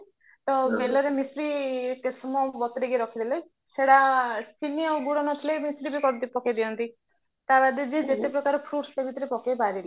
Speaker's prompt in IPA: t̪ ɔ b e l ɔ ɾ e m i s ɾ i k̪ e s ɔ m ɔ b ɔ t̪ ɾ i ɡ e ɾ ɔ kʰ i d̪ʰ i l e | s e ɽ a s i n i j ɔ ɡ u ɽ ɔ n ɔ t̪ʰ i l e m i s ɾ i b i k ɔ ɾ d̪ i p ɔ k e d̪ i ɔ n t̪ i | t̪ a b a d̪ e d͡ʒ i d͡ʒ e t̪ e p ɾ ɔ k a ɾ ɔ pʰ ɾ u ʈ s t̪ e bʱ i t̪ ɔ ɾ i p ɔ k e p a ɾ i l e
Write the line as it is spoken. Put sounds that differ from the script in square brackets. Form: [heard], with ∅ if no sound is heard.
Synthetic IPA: t̪ ɔ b e l ɔ ɾ e m i s ɾ i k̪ e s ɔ m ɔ b ɔ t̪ ɾ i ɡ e ɾ ɔ kʰ i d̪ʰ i l e | s e ɽ a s i n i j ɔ ɡ u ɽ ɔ n ɔ t̪ʰ i l e m i s ɾ i b i k ɔ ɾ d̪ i p ɔ k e d̪ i ɔ n t̪ i | t̪ a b a d̪ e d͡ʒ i d͡ʒ e t̪ e p ɾ ɔ k a ɾ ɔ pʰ ɾ u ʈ s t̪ e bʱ i t̪ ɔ ɾ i p ɔ k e [b] a ɾ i l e